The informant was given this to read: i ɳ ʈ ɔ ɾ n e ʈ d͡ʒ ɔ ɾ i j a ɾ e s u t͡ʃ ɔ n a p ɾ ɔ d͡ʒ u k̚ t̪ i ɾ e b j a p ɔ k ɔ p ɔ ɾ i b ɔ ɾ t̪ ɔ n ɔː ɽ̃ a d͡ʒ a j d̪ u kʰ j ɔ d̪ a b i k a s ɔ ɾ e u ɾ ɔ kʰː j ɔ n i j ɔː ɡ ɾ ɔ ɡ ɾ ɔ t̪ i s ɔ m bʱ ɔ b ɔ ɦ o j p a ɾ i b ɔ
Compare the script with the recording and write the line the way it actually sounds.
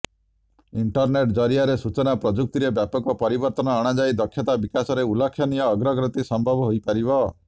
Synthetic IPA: i ɳ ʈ ɔ ɾ n e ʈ d͡ʒ ɔ ɾ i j a ɾ e s u t͡ʃ ɔ n a p ɾ ɔ d͡ʒ u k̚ t̪ i ɾ e b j a p ɔ k ɔ p ɔ ɾ i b ɔ ɾ t̪ ɔ n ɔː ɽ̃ a d͡ʒ a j d̪ ɔ kʰ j ɔ t̪ a b i k a s ɔ ɾ e u l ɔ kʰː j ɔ n i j ɔː ɡ ɾ ɔ ɡ ɾ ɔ t̪ i s ɔ m bʱ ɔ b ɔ ɦ o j p a ɾ i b ɔ